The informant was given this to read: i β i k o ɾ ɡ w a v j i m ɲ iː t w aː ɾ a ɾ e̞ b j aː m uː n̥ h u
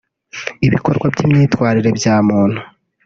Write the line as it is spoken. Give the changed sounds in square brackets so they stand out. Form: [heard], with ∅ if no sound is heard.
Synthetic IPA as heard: i β i k o ɾ ɡ w a [b] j i m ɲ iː t w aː ɾ [i] ɾ e̞ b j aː m uː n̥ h u